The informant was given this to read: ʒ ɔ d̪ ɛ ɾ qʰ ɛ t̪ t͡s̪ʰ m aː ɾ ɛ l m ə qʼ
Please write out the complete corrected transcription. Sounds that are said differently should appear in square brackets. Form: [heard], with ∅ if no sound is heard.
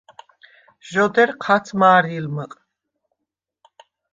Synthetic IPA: ʒ ɔ d̪ ɛ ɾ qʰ [a] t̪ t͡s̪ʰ m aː ɾ [i] l m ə qʼ